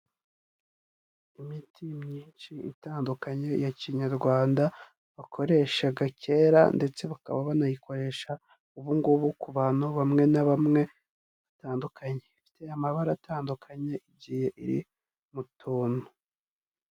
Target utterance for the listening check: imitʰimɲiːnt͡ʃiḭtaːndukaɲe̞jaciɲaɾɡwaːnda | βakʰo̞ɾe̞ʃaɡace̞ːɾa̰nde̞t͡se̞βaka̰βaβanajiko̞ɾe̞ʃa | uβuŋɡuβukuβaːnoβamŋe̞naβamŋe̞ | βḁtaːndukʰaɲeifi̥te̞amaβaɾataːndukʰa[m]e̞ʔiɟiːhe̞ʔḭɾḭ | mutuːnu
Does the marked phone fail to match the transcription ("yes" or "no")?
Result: yes